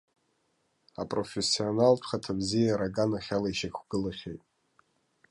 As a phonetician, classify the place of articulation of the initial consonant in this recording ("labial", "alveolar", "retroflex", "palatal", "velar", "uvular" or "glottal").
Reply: labial